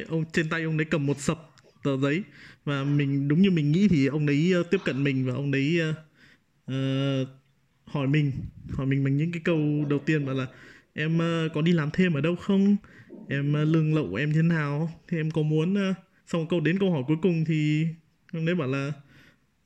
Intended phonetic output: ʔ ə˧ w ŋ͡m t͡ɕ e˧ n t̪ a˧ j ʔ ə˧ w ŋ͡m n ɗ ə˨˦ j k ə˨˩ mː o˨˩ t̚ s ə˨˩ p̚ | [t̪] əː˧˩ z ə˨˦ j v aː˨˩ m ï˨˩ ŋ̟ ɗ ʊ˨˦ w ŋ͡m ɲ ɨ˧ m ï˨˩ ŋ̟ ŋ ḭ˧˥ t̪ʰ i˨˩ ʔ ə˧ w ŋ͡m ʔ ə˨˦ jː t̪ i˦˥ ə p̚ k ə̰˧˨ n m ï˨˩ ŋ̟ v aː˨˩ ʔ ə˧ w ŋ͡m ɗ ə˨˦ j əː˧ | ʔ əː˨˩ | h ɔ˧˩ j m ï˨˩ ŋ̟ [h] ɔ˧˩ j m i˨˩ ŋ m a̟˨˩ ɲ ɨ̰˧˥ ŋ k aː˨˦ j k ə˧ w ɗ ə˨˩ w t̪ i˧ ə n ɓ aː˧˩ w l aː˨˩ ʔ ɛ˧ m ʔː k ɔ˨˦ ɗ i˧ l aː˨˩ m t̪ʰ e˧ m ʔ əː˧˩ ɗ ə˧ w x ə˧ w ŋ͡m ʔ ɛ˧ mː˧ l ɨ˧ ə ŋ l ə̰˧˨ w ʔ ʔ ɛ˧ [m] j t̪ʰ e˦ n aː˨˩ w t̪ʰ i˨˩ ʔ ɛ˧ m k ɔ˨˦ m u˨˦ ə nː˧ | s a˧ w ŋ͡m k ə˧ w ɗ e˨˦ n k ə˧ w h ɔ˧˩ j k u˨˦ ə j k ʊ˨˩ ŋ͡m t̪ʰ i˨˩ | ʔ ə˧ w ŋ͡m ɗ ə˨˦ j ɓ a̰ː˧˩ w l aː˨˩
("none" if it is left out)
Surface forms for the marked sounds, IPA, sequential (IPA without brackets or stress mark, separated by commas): t̪, h, m